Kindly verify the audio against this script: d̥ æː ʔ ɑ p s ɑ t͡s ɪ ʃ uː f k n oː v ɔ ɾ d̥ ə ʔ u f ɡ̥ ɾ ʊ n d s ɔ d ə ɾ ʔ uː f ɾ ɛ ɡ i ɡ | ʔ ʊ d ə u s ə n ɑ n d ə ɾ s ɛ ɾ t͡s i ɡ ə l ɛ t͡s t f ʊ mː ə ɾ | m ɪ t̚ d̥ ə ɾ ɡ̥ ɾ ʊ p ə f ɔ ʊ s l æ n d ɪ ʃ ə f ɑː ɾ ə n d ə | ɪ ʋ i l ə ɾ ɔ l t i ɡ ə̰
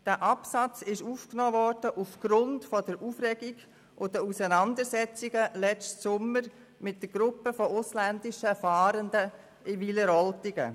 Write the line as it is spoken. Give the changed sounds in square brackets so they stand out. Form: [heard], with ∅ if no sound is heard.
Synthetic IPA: d̥ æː ʔ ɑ p s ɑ t͡s ɪ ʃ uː f k n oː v ɔ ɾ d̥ ə ʔ u f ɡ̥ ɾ ʊ n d [f] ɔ d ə ɾ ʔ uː f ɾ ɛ ɡ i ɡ | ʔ ʊ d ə u s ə n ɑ n d ə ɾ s ɛ [∅] t͡s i ɡ ə l ɛ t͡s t [s] ʊ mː ə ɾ | m ɪ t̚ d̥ ə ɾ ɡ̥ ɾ ʊ p ə f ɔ ʊ s l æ n d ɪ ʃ ə f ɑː ɾ ə n d ə | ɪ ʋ i l ə ɾ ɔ l t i ɡ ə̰